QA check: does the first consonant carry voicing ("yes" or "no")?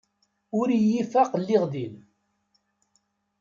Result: yes